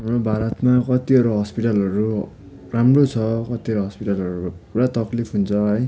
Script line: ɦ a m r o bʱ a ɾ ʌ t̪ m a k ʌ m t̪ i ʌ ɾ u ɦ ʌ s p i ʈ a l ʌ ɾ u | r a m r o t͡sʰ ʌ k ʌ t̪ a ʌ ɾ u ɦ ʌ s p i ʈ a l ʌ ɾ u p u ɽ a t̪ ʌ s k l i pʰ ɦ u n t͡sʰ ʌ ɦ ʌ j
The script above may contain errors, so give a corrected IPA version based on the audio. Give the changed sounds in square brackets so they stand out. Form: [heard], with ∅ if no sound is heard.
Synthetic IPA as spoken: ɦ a m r o bʱ a ɾ ʌ t̪ m a k ʌ [∅] t̪ i ʌ ɾ u ɦ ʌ s p i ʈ a l ʌ ɾ u | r a m r o t͡sʰ ʌ k ʌ t̪ [i] ʌ ɾ u ɦ ʌ s p i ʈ a l ʌ ɾ u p u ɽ a t̪ ʌ [∅] k l i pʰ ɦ u n t͡sʰ ʌ ɦ ʌ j